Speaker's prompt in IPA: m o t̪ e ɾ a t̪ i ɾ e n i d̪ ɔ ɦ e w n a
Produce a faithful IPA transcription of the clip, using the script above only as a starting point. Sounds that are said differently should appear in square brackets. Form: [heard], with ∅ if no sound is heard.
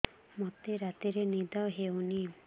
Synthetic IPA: m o t̪ e ɾ a t̪ i ɾ e n i d̪ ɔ ɦ e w n [i]